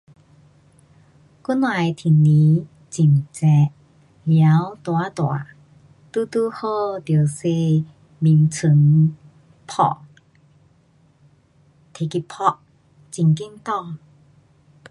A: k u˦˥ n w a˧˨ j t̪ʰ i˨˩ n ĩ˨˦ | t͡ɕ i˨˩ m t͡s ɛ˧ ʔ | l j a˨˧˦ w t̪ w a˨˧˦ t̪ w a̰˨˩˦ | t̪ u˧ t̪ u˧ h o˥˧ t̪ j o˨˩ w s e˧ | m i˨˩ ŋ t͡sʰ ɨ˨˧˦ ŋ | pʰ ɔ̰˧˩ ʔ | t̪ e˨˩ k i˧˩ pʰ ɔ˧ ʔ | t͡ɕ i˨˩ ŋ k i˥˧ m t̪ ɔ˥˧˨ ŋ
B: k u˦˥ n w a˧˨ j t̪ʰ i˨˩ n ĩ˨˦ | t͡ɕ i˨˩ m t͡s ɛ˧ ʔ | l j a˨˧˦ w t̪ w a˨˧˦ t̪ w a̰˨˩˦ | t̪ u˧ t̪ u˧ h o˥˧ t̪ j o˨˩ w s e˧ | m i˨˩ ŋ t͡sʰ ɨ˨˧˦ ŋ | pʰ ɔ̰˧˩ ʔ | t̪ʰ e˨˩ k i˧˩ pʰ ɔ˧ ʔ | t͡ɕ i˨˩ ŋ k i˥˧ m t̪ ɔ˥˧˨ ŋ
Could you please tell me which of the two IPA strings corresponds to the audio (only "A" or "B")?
B